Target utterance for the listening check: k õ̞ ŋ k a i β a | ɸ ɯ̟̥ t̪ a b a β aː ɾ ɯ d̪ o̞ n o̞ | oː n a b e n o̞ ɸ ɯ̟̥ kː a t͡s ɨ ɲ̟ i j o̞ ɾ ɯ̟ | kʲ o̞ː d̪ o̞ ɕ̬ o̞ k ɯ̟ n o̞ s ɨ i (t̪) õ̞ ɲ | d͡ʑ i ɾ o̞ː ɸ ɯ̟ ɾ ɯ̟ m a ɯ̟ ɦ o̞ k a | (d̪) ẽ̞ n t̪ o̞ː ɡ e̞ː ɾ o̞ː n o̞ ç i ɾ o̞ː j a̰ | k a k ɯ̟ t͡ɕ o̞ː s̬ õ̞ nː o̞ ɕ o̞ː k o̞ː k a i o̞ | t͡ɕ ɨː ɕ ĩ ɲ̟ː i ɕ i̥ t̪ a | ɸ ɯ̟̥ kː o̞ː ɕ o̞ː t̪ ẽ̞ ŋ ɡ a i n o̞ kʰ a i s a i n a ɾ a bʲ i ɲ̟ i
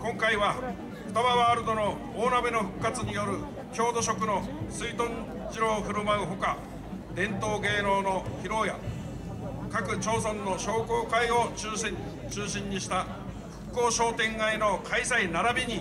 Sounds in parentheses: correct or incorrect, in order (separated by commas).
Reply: correct, correct